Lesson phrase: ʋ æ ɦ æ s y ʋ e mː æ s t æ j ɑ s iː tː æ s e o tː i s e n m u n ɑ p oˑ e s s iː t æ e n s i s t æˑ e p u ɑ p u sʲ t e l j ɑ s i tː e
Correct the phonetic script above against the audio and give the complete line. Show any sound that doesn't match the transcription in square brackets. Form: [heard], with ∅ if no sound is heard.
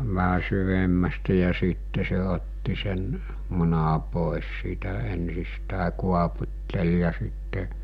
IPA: ʋ æ ɦ æ s y ʋ e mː æ s t æ j ɑ s iː tː [e] s e o tː i s e n m u n ɑ p oˑ e s s iː t æ e n s i s t æˑ e [k] u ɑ p u [tʲ] t e l j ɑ s i tː e